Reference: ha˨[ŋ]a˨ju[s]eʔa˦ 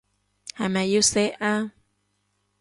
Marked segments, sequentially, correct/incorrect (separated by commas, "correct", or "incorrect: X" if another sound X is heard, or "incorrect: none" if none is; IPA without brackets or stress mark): incorrect: m, correct